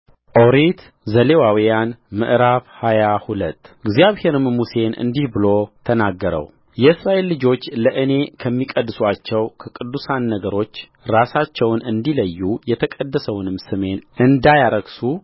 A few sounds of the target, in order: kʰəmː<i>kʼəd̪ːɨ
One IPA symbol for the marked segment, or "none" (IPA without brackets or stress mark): i